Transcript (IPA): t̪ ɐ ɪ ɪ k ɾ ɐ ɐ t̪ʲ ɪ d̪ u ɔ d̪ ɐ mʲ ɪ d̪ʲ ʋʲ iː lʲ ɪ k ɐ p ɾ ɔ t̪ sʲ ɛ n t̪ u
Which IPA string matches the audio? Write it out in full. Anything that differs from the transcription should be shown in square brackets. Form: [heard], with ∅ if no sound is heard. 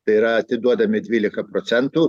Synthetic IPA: t̪ ɐ ɪ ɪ [∅] ɾ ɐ ɐ t̪ʲ ɪ d̪ u ɔ d̪ ɐ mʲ ɪ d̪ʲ ʋʲ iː lʲ ɪ k ɐ p ɾ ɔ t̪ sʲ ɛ n t̪ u